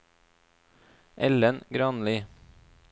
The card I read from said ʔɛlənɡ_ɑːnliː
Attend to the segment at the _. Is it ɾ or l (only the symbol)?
ɾ